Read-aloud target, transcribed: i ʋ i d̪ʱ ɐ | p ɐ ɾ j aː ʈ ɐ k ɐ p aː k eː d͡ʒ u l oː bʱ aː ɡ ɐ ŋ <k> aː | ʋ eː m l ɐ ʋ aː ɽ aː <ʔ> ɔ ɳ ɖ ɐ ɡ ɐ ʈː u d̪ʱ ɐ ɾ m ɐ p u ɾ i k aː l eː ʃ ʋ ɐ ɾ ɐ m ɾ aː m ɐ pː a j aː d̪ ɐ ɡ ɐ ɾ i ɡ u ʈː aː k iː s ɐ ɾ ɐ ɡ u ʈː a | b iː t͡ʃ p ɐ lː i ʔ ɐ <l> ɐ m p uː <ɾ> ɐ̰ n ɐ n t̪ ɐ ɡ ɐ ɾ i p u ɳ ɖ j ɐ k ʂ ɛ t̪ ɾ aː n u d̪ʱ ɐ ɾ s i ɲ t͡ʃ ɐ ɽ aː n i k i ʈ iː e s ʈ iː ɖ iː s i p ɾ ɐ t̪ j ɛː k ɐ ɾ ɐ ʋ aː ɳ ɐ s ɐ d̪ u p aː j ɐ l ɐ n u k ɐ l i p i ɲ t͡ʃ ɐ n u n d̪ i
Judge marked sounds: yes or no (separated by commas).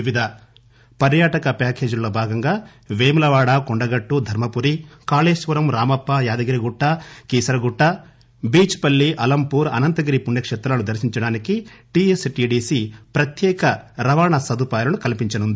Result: no, no, yes, yes